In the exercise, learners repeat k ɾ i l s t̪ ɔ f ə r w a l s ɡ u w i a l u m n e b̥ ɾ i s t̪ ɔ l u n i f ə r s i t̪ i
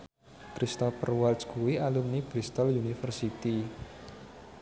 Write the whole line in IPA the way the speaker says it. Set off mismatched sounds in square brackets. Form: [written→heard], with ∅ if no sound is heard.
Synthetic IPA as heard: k ɾ i [l→∅] s t̪ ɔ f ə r w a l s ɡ u w i a l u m n [e→i] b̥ ɾ i s t̪ ɔ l u n i f ə r s i t̪ i

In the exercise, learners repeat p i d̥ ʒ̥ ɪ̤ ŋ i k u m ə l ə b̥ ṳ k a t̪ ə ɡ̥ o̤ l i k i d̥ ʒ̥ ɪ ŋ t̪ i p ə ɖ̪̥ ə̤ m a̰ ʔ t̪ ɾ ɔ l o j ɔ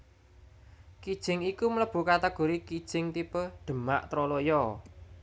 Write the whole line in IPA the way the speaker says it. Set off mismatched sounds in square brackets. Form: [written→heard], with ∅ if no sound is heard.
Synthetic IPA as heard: [p→k] i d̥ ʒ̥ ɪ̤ ŋ i k u m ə l ə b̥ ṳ k a t̪ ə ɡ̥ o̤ [l→ɾ] i k i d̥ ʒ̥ ɪ ŋ t̪ i p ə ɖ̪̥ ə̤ m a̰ ʔ t̪ ɾ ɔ l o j ɔ

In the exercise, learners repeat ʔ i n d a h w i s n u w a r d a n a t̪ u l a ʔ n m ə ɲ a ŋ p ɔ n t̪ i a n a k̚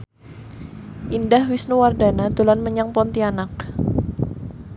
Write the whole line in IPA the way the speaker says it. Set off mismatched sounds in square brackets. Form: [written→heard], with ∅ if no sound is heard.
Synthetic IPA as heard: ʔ i n d a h w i s n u w a r d a n a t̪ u l a [ʔ→∅] n m ə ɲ a ŋ p ɔ n t̪ i a n a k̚

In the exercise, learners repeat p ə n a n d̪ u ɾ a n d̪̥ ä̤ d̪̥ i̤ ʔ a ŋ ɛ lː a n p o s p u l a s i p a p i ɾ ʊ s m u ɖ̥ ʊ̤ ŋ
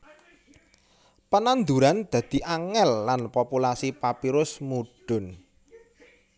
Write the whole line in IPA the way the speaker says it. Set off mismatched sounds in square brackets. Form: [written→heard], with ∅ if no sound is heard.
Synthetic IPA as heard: p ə n a n d̪ u ɾ a n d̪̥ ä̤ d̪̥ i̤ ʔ a ŋ ɛ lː a n p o [s→∅] p u l a s i p a p i ɾ ʊ s m u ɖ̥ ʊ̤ [ŋ→n]

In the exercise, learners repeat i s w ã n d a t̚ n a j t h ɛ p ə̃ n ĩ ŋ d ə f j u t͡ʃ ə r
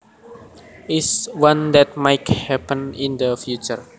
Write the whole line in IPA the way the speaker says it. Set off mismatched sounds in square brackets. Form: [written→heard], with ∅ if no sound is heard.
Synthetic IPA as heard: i s w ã n d [a→ɛ] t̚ [n→m] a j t h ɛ p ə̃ n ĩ [ŋ→n] d ə f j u t͡ʃ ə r

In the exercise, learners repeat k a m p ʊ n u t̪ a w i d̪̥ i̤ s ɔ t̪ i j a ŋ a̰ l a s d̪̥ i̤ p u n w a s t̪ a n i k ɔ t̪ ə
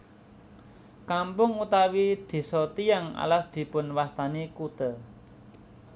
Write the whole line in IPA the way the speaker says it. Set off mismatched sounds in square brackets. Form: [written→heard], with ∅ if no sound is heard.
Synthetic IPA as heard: k a m p ʊ [n→ŋ] u t̪ a w i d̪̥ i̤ s ɔ t̪ i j a ŋ a̰ l a s d̪̥ i̤ p [u→ʊ] n w a s t̪ a n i k [ɔ→u] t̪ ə

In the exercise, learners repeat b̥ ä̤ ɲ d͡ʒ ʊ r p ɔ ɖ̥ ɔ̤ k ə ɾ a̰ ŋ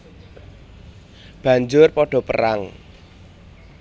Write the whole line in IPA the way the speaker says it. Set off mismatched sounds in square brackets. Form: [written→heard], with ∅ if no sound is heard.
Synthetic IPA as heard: b̥ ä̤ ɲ d͡ʒ ʊ r p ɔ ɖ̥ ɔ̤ [k→p] ə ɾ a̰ ŋ

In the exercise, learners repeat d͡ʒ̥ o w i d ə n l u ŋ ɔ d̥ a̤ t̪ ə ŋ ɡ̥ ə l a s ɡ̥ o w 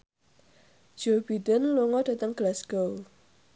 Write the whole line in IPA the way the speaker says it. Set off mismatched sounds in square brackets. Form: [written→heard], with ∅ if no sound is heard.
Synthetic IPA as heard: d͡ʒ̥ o [w→b] i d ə n l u ŋ ɔ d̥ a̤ t̪ ə ŋ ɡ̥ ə l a s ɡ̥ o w

